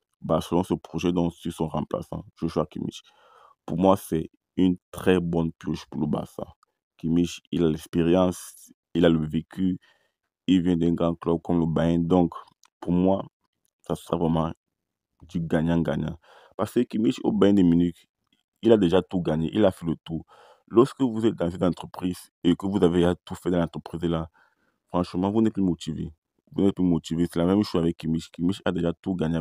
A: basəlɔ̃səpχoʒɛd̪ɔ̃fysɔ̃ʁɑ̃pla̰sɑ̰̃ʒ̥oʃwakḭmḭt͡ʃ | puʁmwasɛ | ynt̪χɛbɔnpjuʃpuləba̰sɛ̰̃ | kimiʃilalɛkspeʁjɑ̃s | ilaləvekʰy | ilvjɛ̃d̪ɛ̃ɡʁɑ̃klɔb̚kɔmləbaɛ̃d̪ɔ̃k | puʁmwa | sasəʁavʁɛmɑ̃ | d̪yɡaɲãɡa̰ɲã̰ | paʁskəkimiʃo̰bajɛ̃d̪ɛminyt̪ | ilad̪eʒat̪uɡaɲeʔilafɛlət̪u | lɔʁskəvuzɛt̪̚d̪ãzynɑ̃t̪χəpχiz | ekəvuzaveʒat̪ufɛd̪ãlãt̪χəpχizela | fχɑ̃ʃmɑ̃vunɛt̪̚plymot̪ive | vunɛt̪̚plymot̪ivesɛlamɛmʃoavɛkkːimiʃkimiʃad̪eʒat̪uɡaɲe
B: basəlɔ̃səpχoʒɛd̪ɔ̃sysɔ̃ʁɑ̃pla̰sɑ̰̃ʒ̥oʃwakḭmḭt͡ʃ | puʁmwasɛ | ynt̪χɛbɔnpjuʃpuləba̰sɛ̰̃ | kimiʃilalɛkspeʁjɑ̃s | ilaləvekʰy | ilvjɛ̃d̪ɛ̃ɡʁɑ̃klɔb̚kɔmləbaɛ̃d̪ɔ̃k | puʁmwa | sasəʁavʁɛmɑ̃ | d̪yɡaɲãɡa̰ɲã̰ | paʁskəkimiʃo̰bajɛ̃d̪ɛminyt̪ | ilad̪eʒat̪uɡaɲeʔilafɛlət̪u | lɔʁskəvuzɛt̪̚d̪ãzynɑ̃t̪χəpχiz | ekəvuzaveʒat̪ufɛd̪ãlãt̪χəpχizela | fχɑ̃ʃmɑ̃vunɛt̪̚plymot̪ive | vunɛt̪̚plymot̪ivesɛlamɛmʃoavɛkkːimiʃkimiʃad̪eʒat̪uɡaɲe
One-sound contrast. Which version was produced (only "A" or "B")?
B